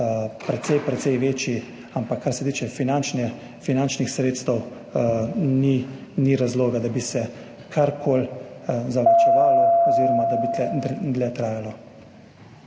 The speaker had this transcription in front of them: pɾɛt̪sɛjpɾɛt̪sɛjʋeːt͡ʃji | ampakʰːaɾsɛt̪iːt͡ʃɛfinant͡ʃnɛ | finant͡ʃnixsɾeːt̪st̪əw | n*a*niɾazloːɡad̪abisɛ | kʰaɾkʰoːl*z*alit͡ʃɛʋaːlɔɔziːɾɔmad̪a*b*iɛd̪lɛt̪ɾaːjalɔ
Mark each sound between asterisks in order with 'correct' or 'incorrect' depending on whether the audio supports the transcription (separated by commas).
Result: incorrect, correct, correct